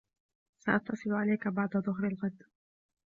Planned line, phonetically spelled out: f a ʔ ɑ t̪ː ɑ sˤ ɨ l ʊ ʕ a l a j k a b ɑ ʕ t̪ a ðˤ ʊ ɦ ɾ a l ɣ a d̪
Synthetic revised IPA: s a ʔ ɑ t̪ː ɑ sˤ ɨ l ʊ ʕ a l a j k a b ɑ ʕ d̪ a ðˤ ʊ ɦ ɾ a l ɣ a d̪